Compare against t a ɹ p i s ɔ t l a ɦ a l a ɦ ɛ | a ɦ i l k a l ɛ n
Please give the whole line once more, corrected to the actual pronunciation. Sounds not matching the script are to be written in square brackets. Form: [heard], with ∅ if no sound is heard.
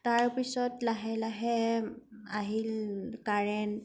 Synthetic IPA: t a ɹ p i s ɔ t l a ɦ [ɛ] l a ɦ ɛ | a ɦ i l k a [ɹ] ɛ n